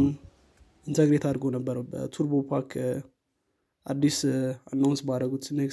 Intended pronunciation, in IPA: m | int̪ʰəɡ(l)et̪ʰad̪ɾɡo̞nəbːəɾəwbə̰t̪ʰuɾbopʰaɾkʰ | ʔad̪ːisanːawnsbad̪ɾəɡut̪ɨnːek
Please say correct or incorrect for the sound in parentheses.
incorrect